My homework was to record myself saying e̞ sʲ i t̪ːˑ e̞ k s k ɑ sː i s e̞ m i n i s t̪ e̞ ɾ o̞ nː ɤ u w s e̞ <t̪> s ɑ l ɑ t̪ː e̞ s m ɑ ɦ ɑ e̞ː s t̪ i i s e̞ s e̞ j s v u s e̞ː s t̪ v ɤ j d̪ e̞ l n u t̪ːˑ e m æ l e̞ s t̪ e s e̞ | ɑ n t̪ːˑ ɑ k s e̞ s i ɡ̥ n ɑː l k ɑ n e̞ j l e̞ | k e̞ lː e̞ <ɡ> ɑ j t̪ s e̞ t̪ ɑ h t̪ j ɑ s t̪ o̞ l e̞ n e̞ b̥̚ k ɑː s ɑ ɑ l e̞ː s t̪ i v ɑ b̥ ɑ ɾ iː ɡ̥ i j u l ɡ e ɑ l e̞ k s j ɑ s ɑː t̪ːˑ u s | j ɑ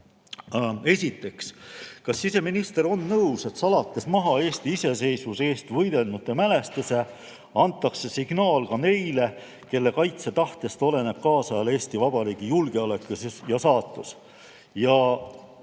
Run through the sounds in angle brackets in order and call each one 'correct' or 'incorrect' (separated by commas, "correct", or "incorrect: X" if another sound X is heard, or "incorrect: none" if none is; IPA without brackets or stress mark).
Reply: correct, incorrect: k